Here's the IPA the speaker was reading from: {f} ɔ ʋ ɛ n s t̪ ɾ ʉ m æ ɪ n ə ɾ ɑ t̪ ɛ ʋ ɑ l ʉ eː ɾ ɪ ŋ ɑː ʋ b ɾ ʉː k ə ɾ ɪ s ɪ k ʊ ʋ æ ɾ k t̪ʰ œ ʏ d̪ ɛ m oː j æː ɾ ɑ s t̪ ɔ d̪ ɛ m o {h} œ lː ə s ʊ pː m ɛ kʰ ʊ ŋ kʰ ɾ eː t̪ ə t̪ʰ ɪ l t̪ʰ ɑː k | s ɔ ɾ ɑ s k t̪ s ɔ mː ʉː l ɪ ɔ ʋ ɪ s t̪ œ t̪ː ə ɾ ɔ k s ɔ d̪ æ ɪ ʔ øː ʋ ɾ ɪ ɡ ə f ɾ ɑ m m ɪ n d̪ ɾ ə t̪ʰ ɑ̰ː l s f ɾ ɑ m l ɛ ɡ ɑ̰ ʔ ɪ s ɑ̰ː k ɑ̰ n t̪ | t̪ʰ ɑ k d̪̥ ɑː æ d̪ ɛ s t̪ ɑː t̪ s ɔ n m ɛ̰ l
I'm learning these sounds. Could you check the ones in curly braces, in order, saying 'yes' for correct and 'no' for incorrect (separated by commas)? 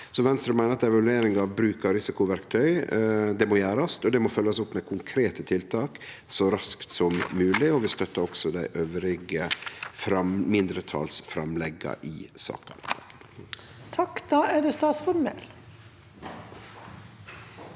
no, no